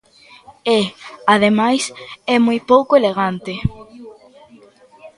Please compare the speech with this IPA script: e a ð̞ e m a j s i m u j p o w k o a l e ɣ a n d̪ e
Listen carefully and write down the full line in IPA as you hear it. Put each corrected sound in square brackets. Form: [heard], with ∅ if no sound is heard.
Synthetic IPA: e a ð̞ e m a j s [ɛ] m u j p o w k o [e] l e ɣ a n [t̪] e